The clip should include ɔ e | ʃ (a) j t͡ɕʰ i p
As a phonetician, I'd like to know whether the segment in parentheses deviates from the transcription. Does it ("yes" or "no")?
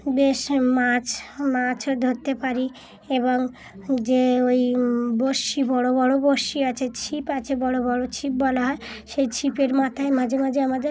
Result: yes